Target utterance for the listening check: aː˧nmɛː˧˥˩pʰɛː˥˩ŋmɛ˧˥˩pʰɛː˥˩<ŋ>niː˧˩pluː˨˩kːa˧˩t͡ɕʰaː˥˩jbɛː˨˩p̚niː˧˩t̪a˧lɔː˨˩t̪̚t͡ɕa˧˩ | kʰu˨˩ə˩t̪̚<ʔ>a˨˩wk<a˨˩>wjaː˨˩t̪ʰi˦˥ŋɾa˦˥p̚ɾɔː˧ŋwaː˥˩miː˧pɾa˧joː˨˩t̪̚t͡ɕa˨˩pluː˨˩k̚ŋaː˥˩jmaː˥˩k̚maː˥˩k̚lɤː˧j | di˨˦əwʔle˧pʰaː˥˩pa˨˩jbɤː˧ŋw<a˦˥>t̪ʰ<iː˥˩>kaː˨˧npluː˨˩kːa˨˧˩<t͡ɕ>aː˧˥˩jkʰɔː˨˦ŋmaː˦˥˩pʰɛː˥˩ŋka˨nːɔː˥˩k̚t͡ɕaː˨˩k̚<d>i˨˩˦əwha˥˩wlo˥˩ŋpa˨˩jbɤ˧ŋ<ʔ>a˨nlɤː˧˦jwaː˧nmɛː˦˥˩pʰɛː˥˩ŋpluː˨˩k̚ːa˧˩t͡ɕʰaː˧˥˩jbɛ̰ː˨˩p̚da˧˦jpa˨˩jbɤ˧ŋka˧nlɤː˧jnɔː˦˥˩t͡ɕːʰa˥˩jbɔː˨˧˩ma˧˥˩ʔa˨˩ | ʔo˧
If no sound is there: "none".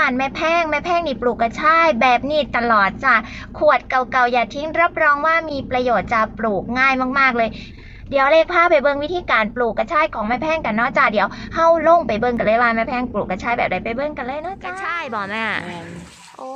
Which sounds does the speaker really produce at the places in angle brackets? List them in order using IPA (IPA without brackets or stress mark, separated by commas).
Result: ŋ, k, a˨˩, i˦˥, iː˧, t͡ɕʰ, d, k